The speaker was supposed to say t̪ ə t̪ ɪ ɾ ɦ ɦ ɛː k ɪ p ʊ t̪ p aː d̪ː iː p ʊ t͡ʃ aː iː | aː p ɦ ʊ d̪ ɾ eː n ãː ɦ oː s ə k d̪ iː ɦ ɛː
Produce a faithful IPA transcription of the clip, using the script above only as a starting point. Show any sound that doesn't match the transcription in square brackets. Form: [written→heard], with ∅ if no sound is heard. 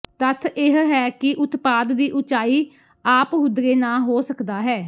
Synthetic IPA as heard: t̪ ə [t̪→t̪ʰ] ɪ [ɾ→∅] ɦ ɦ ɛː k ɪ [p→ʔ] ʊ t̪ p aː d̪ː iː [p→ʔ] ʊ t͡ʃ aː iː | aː p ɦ ʊ d̪ ɾ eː n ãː ɦ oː s ə k d̪ [iː→aː] ɦ ɛː